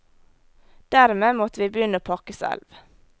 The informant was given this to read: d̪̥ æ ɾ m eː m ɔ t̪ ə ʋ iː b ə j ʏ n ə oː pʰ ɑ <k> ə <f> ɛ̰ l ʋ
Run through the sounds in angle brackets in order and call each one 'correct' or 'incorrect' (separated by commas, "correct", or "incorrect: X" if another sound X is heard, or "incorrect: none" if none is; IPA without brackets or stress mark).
correct, incorrect: s